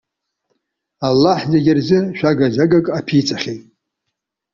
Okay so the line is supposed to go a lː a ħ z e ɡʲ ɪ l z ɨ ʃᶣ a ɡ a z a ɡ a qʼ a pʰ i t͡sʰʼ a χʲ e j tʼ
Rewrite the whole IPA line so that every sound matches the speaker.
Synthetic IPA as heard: a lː a ħ z e ɡʲ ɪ r z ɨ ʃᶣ a ɡ a z a ɡ a kʼ a pʰ i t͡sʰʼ a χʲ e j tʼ